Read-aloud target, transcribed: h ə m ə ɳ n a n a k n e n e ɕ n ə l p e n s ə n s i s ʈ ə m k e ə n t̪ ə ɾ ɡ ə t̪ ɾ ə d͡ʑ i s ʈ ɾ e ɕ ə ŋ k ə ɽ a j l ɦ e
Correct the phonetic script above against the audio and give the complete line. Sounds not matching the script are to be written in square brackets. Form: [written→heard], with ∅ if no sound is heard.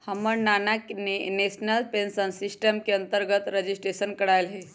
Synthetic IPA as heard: h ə m ə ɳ n a n a k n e n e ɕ n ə l p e n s ə n s i s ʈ ə m k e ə n t̪ ə ɾ ɡ ə t̪ ɾ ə d͡ʑ i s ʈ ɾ e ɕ ə [ŋ→n] k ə ɽ a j l ɦ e